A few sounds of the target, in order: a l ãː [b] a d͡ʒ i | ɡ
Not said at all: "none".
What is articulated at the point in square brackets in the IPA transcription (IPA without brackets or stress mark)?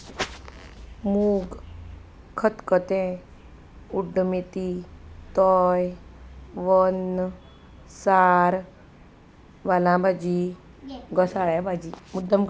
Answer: b